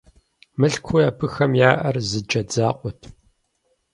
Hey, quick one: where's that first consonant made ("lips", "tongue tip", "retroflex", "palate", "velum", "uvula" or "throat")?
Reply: lips